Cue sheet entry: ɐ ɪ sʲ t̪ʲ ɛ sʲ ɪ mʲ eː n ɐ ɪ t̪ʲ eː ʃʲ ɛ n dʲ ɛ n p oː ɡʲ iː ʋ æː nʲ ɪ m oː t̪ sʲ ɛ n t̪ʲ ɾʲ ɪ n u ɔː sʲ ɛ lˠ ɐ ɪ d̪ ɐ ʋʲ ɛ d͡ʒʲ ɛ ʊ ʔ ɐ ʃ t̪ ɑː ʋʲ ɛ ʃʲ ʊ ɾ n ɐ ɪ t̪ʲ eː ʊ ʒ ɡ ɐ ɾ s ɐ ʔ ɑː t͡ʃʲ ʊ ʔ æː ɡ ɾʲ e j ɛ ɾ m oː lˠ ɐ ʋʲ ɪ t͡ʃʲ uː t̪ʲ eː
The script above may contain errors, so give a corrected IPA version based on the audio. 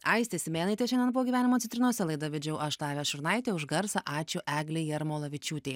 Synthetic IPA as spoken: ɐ ɪ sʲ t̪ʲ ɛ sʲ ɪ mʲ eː n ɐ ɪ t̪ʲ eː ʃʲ ɛ n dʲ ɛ n p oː ɡʲ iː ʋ æː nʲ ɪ m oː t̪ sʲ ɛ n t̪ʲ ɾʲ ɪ n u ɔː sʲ ɛ lˠ ɐ ɪ d̪ ɐ ʋʲ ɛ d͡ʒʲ ɛ ʊ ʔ ɐ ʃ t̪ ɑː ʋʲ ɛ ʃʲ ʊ ɾ n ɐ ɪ t̪ʲ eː ʊ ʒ ɡ ɐ ɾ s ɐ ʔ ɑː t͡ʃʲ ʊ ʔ æː ɡ lʲ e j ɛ ɾ m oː lˠ ɐ ʋʲ ɪ t͡ʃʲ uː t̪ʲ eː